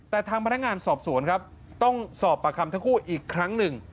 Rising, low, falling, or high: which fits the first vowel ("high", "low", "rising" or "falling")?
low